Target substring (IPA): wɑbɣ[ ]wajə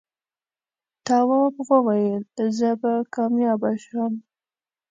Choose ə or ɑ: ə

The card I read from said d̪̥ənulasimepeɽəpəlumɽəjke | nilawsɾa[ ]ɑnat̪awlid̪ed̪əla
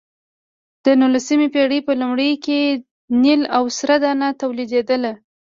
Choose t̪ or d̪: d̪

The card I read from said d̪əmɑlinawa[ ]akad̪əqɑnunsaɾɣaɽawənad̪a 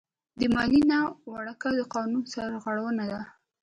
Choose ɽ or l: ɽ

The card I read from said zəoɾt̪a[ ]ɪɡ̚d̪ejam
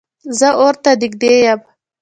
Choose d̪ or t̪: d̪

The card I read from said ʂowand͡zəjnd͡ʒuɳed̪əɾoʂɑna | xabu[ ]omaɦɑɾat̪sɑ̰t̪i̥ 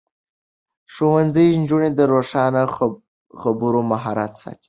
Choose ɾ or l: ɾ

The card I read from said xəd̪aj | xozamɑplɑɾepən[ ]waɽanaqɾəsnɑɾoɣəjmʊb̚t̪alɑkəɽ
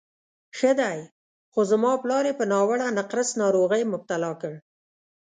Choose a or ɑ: ɑ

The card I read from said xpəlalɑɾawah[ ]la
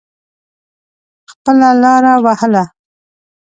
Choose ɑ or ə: ə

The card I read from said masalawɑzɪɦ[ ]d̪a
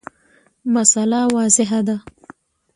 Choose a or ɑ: a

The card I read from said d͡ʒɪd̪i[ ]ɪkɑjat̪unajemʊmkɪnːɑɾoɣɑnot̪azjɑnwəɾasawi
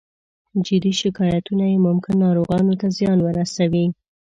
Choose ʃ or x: ʃ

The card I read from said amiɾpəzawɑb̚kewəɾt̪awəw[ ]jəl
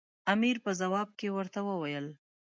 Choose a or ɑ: a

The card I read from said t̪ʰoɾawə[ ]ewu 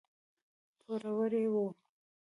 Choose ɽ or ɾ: ɾ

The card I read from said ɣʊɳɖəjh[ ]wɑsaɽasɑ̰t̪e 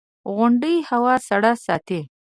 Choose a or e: a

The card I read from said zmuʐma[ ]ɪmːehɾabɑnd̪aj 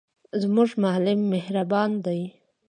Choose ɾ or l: l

